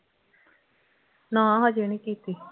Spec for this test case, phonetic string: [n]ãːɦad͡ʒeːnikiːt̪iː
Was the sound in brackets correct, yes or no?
yes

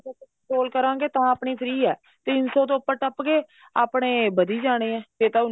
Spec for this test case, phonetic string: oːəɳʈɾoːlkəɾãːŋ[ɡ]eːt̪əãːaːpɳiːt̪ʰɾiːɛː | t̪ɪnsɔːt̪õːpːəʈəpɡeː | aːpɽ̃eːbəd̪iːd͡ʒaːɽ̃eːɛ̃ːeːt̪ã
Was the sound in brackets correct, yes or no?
yes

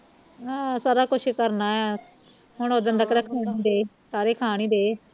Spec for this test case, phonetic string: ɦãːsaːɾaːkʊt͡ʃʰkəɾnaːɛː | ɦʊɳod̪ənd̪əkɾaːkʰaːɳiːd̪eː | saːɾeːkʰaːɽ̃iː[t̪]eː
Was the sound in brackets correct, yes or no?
no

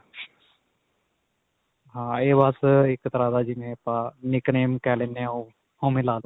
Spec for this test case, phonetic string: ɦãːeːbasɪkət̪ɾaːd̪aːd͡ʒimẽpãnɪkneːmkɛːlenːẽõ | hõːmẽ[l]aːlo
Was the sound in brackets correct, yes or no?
yes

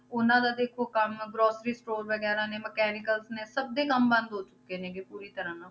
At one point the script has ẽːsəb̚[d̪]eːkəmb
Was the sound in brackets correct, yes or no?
yes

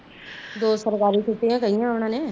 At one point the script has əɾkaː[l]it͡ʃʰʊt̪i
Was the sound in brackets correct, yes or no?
no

